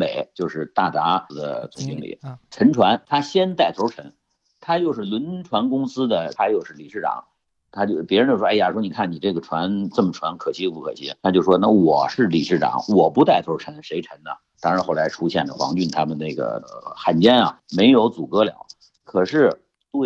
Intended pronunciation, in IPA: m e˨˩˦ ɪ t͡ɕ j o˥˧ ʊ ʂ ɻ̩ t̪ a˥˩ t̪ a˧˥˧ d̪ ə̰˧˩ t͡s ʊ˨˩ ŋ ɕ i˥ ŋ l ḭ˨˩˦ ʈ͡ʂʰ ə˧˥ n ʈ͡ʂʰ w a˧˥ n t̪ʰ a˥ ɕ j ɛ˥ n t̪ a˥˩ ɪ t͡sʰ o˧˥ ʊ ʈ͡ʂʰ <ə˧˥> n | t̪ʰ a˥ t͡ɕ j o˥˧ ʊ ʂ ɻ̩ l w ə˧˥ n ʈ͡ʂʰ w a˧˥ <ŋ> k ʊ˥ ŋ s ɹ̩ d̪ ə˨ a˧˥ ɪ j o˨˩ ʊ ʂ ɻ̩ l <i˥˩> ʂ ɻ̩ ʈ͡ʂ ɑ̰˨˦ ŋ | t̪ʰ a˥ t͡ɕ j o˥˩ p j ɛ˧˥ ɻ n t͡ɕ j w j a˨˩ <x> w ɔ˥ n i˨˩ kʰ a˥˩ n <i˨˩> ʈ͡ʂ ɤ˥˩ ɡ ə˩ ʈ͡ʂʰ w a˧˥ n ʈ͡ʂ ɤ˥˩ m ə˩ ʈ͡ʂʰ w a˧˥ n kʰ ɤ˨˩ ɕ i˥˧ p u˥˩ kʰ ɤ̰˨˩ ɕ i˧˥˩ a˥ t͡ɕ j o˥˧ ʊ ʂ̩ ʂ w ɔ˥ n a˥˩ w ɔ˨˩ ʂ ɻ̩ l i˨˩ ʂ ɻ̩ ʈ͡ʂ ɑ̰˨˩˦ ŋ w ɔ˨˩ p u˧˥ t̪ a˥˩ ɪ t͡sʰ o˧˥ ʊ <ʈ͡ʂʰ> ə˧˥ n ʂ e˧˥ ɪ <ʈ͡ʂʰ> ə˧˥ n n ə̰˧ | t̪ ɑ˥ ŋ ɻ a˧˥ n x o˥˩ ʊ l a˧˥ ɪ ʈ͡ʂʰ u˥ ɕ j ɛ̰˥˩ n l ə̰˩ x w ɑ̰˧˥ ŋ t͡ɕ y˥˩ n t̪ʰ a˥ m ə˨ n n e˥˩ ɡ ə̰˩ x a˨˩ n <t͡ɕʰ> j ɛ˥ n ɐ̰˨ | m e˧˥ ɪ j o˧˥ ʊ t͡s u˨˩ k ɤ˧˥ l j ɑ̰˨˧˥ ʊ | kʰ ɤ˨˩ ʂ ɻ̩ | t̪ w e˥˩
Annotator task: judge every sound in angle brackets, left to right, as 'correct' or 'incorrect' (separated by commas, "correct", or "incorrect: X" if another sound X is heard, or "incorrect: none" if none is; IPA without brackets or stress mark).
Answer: correct, incorrect: n, incorrect: i˨˩, incorrect: ʂ, correct, correct, correct, incorrect: t͡ɕ